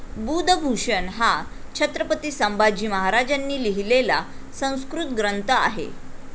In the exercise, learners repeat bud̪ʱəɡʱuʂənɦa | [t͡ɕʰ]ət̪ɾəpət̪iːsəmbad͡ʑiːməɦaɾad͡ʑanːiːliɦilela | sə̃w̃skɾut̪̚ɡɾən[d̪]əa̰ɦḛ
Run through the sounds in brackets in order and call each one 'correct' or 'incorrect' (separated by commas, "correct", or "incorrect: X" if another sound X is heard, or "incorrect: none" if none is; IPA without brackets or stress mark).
correct, incorrect: t̪